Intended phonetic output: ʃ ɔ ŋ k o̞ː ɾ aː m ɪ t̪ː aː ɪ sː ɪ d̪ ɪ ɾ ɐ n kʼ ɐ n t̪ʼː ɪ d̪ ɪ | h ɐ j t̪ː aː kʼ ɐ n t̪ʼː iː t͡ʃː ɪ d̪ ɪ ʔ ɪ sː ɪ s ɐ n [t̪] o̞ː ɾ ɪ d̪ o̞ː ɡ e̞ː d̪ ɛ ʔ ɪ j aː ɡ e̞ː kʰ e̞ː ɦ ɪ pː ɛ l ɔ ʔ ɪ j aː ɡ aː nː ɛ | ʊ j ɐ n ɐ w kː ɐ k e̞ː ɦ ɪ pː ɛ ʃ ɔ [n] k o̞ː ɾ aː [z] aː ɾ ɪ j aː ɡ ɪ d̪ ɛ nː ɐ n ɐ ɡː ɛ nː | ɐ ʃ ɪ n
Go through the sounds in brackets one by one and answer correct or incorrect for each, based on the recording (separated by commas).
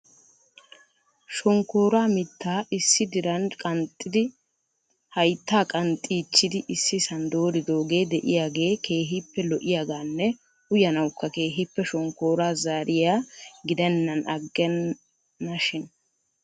incorrect, incorrect, correct